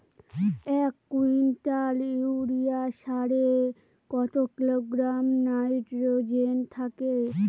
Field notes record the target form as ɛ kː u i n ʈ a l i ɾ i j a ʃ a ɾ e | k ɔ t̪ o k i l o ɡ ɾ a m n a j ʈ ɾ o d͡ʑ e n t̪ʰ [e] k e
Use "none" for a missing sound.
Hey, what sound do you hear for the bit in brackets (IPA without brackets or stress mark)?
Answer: a